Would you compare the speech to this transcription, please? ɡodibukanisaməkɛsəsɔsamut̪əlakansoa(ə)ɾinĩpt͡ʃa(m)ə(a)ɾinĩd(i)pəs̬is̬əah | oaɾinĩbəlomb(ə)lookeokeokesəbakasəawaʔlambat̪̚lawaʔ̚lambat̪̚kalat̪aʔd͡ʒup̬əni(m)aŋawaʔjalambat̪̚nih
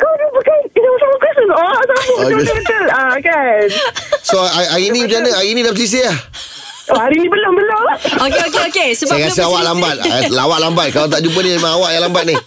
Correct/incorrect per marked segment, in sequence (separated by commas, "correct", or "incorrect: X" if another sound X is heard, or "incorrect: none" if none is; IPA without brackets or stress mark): incorrect: a, incorrect: n, correct, incorrect: a, correct, correct